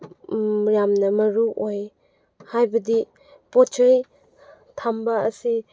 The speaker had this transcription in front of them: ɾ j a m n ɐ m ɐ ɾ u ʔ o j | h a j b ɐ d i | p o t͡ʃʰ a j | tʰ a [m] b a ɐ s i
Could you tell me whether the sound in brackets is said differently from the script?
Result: no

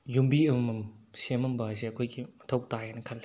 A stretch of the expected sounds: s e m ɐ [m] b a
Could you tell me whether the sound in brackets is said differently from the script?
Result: no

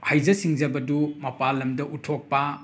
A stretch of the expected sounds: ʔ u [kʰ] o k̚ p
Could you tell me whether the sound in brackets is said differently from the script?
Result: yes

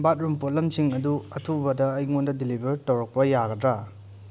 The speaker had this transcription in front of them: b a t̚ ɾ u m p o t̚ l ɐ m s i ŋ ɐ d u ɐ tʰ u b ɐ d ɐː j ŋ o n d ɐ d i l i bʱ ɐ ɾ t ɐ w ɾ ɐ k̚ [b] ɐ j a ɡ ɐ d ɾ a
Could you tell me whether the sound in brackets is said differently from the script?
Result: yes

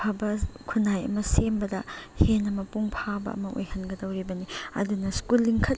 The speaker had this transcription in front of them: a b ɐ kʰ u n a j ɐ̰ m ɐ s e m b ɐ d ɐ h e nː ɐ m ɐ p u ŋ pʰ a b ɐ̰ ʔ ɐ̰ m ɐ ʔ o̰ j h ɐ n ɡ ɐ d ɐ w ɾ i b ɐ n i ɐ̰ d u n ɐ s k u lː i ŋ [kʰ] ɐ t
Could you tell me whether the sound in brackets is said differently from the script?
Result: no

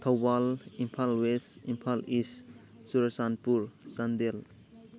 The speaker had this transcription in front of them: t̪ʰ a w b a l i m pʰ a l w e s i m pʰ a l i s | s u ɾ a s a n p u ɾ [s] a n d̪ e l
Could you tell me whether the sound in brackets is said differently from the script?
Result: no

